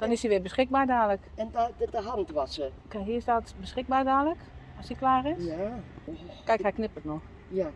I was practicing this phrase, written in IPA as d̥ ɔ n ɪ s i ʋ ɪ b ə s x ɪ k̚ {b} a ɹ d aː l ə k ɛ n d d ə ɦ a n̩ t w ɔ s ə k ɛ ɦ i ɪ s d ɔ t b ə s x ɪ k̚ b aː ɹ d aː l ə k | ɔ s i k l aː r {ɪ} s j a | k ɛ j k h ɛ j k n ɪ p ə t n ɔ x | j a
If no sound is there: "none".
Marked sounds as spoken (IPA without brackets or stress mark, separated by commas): b, ɪ